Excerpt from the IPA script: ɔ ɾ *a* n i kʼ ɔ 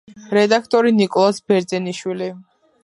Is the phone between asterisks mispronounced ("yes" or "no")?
yes